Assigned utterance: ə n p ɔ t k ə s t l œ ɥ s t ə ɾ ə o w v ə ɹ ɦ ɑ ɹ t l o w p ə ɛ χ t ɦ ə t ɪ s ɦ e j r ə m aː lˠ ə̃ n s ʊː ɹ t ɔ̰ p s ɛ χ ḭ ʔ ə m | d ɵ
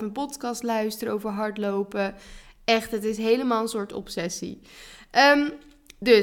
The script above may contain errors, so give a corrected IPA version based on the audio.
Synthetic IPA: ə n p ɔ t k ɑ s t l œ ɥ s t ə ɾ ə o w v ə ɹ ɦ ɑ ɹ t l o w p ə ɛ χ t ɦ ə t ɪ s ɦ e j l ə m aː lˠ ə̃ n s ʊː ɹ t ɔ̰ p s ɛ s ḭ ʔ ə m | d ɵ